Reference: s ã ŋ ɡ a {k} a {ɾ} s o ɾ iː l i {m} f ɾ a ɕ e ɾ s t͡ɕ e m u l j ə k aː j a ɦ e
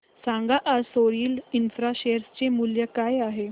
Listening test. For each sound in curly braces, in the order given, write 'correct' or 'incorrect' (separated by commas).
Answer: incorrect, correct, incorrect